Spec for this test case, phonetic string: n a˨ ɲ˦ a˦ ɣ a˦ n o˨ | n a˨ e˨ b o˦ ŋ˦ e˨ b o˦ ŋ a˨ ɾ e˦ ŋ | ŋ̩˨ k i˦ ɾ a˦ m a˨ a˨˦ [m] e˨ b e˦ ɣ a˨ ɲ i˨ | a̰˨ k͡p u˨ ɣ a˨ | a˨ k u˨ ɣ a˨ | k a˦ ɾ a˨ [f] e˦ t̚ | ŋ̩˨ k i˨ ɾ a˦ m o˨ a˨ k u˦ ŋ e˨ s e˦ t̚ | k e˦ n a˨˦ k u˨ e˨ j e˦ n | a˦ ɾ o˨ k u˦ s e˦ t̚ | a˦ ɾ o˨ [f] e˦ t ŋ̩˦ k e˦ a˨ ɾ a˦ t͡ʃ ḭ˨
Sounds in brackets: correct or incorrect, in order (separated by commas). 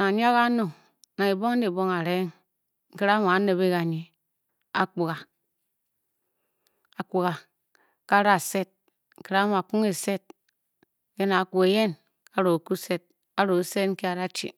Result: incorrect, incorrect, incorrect